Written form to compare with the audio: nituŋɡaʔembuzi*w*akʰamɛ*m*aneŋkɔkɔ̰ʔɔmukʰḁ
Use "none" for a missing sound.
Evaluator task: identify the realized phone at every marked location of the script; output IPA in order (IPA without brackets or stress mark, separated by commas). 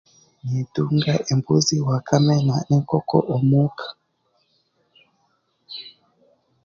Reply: w, n